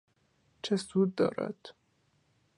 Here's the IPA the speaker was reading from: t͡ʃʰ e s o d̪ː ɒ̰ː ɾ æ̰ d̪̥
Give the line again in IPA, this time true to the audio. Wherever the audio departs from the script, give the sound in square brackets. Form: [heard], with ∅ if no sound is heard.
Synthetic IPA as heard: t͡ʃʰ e s [u] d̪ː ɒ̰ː ɾ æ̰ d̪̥